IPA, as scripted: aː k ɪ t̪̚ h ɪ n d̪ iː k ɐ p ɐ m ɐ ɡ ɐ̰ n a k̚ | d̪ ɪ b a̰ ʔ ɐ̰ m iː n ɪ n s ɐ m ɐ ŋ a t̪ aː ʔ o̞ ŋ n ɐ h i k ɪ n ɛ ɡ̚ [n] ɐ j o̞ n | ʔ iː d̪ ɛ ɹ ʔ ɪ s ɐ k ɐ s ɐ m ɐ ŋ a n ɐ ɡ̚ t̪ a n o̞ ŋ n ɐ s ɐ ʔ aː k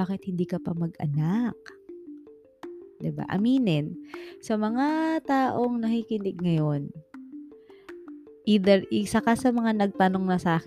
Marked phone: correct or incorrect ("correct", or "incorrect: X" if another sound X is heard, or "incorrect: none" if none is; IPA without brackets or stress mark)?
incorrect: ŋ